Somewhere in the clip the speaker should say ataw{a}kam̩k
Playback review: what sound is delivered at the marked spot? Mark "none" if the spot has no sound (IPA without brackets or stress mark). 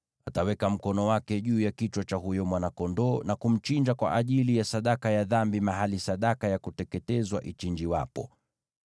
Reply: ɛ